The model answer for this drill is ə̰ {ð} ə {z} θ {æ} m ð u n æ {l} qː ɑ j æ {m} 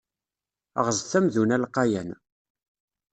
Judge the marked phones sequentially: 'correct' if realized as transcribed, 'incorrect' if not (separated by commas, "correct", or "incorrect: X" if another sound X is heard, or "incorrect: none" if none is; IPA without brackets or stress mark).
incorrect: ʁ, correct, correct, correct, incorrect: n